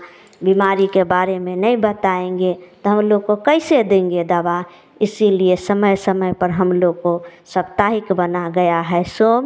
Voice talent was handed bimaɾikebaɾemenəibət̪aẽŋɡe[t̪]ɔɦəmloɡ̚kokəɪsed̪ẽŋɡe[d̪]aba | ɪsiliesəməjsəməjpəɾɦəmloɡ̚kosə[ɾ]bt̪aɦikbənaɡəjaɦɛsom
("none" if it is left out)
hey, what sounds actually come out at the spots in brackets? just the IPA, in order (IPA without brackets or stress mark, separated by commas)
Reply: t̪, d̪, none